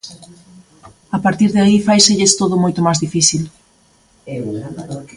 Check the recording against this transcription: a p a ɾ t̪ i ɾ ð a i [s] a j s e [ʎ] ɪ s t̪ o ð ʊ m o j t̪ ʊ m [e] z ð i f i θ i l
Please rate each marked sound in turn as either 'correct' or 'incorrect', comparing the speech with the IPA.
incorrect, correct, incorrect

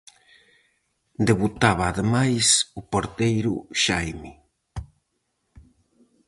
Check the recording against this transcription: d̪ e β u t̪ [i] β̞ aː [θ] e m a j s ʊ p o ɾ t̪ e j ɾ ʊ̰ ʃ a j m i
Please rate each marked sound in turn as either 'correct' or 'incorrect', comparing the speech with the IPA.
incorrect, incorrect

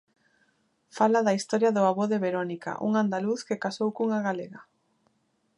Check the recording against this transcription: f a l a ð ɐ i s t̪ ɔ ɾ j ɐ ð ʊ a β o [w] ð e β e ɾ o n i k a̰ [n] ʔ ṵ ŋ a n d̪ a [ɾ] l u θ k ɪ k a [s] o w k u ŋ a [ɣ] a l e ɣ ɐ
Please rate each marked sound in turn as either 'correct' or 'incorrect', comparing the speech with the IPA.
incorrect, incorrect, incorrect, correct, correct

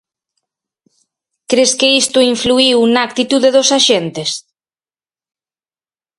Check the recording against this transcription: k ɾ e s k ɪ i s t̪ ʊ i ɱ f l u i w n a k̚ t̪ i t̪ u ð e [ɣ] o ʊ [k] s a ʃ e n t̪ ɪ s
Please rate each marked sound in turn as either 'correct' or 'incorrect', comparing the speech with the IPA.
incorrect, incorrect

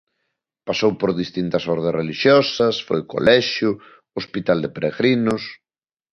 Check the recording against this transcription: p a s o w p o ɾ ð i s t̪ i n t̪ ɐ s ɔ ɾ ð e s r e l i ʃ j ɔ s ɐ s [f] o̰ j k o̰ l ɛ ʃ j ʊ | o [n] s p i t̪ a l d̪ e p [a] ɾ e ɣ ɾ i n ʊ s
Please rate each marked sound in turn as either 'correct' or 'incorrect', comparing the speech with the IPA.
correct, incorrect, incorrect

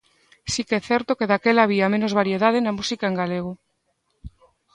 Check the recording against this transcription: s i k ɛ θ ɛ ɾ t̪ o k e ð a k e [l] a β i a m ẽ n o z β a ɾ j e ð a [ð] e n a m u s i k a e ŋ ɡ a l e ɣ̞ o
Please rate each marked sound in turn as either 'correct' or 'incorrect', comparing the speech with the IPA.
correct, correct

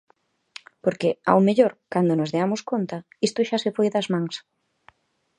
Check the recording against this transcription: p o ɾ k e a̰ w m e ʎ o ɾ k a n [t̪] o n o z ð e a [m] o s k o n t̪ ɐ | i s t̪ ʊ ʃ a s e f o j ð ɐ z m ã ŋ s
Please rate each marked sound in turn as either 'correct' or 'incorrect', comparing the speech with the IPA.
incorrect, correct

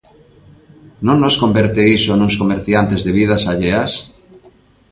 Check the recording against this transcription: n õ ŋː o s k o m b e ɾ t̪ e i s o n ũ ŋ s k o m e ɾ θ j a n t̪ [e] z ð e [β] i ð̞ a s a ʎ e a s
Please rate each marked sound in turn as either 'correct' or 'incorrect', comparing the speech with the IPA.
correct, correct

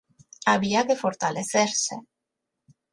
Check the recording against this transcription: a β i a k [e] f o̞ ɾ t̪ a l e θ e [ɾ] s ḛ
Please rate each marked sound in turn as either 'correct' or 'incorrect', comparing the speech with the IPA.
correct, correct

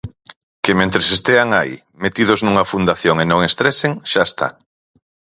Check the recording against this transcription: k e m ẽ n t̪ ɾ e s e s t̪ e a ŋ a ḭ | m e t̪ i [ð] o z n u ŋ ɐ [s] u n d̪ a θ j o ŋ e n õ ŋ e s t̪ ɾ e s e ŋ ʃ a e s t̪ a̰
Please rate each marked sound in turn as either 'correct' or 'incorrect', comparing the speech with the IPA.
correct, incorrect

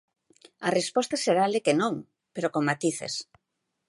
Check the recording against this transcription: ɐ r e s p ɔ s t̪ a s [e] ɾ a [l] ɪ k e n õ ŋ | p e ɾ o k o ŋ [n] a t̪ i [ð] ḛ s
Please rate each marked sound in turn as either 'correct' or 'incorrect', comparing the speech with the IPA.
correct, correct, incorrect, incorrect

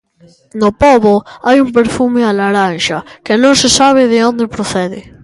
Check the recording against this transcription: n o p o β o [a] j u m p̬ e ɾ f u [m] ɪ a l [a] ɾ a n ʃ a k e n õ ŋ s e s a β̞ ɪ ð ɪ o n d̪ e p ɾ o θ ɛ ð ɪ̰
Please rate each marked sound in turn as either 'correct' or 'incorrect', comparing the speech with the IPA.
correct, correct, correct

